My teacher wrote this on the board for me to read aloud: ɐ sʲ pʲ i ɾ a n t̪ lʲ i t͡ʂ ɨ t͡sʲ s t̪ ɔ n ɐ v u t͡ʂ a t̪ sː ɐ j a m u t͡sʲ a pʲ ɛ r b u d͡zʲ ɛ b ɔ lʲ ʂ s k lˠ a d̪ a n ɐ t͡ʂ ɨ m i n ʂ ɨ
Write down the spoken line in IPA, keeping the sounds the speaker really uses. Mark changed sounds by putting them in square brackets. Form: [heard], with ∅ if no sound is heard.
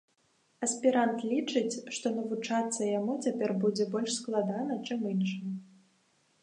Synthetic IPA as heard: ɐ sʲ pʲ i ɾ a n t̪ lʲ i t͡ʂ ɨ t͡sʲ [ʂ] t̪ ɔ n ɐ v u t͡ʂ a t̪ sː ɐ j a m u t͡sʲ a pʲ ɛ r b u d͡zʲ ɛ b ɔ lʲ ʂ s k lˠ a d̪ a n ɐ t͡ʂ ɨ m i n ʂ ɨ

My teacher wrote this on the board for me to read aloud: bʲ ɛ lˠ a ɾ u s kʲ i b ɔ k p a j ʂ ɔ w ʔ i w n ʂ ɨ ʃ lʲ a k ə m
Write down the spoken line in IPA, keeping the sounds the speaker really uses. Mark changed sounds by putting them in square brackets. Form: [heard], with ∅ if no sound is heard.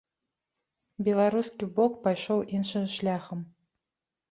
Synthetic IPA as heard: bʲ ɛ lˠ a ɾ u s kʲ i b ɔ k p a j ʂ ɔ w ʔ i [∅] n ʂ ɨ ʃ lʲ a [x] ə m

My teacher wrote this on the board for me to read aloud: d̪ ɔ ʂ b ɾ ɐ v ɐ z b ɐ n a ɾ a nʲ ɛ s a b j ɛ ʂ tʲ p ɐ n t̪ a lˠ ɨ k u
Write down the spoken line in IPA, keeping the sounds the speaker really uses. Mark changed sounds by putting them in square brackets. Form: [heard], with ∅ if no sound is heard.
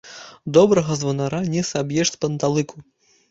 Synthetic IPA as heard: d̪ ɔ [∅] b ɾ ɐ [ɣ] ɐ z [v] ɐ n a ɾ a nʲ ɛ s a b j ɛ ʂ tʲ p ɐ n t̪ a lˠ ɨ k u

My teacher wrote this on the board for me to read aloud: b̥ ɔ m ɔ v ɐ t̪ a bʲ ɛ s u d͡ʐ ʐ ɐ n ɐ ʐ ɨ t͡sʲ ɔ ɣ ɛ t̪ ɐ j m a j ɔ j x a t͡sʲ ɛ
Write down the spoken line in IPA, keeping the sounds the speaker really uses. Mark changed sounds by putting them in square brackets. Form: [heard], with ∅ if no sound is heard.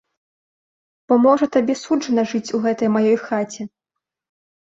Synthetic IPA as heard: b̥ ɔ m ɔ [ʐ] ɐ t̪ a bʲ ɛ s u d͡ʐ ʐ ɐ n ɐ ʐ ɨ t͡sʲ [u] ɣ ɛ t̪ ɐ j m a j ɔ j x a t͡sʲ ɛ

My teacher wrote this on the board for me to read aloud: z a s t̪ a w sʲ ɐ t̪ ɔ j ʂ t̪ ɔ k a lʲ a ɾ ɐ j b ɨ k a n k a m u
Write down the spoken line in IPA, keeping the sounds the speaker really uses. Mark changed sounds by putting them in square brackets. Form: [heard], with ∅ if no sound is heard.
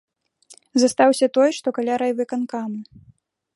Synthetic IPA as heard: z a s t̪ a w sʲ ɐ t̪ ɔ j ʂ t̪ ɔ k a lʲ a ɾ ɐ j [v] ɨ k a n k a m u

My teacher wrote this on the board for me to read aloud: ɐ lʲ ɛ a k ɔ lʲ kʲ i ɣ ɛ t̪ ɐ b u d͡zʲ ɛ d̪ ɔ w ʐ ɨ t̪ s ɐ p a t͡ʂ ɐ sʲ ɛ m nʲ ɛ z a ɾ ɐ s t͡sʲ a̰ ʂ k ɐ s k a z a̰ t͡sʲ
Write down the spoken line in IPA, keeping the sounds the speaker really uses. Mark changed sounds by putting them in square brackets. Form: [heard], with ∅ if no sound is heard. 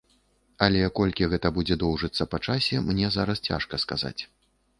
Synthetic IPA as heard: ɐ lʲ ɛ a k ɔ lʲ kʲ i ɣ ɛ t̪ ɐ b u d͡zʲ ɛ d̪ ɔ w ʐ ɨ t̪ [sː] ɐ p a t͡ʂ [a] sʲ ɛ m nʲ ɛ z a ɾ ɐ s t͡sʲ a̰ ʂ k ɐ s k a z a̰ t͡sʲ

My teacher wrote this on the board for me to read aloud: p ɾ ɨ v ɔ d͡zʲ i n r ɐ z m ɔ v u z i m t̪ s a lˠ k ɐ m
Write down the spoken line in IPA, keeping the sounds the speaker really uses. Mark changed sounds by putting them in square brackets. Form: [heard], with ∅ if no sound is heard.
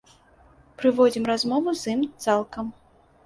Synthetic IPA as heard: p ɾ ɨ v ɔ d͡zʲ i [m] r [a] z m ɔ v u z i m t̪ s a lˠ k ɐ m

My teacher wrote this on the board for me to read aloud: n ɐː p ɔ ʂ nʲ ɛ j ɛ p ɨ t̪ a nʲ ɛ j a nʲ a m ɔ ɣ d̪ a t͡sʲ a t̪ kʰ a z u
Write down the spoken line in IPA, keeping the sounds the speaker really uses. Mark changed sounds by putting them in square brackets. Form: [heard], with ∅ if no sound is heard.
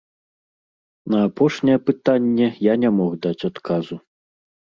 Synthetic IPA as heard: n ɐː p ɔ ʂ nʲ ɛ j ɛ p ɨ t̪ a [nʲː] ɛ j a nʲ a m ɔ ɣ d̪ a t͡sʲ a t̪ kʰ a z u

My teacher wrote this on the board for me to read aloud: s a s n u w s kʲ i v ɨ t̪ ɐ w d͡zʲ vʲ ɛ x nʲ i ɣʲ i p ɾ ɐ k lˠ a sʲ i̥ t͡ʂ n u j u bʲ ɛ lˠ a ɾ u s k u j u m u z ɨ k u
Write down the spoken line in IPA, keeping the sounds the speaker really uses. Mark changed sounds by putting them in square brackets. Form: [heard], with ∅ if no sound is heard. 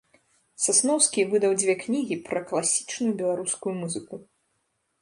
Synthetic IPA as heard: s a s n [ɔ] w s kʲ i v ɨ [d̪] ɐ w d͡zʲ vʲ ɛ [k] nʲ i ɣʲ i p ɾ ɐ k lˠ a sʲ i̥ t͡ʂ n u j u bʲ ɛ lˠ a ɾ u s k u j u m u z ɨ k u

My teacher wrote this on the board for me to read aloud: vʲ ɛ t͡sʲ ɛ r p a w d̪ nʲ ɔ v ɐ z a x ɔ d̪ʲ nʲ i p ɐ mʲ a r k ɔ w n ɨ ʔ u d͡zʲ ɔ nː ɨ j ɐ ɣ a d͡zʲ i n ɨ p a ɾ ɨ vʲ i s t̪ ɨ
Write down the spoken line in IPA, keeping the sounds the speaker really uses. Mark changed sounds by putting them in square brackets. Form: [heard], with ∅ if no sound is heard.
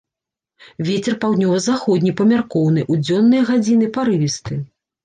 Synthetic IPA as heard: vʲ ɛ t͡sʲ ɛ r p a w d̪ nʲ ɔ v ɐ z a x ɔ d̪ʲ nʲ i p ɐ mʲ a r k ɔ w n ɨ ʔ u d͡zʲ ɔ nː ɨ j ɐ ɣ a d͡zʲ i n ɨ p a ɾ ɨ vʲ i s t̪ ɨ

